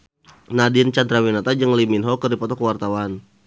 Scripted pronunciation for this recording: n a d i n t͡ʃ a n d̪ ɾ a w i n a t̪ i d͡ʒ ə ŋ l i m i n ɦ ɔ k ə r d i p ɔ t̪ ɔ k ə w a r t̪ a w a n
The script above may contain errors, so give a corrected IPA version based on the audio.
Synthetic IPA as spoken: n a d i n t͡ʃ a n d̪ ɾ a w i n a t̪ a d͡ʒ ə ŋ l i m i n ɦ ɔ k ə r d i p ɔ t̪ ɔ k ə w a r t̪ a w a n